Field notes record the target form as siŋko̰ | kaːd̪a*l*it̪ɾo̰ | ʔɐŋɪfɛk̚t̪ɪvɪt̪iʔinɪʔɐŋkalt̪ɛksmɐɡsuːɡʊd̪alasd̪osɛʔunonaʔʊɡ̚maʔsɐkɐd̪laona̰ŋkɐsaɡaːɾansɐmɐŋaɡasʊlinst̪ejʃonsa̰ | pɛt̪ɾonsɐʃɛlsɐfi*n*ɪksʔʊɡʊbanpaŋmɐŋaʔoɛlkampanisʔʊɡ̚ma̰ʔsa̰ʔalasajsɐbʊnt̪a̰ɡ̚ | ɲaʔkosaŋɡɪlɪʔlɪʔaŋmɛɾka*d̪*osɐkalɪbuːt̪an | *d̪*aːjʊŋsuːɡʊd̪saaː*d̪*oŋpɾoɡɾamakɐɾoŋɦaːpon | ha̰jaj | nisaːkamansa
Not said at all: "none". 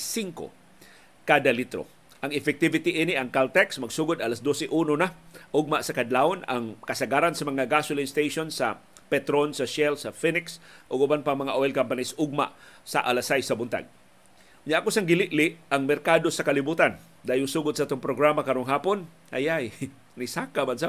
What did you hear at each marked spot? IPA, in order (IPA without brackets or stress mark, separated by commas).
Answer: l, n, d̪, d̪, t̪